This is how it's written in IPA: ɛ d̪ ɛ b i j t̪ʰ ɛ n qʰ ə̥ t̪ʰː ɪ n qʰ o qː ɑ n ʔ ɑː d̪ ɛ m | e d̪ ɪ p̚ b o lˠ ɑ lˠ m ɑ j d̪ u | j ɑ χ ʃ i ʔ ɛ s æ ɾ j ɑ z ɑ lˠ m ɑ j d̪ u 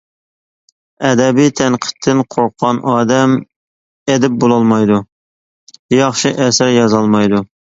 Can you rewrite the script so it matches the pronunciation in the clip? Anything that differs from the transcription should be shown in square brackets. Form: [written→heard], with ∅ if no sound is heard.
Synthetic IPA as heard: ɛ d̪ ɛ b i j t̪ʰ ɛ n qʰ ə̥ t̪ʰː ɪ n qʰ o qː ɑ n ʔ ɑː d̪ ɛ m | e d̪ ɪ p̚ b o lˠ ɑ lˠ m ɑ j d̪ u | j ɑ χ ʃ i ʔ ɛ s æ ɾ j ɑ z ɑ lˠ m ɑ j d̪ u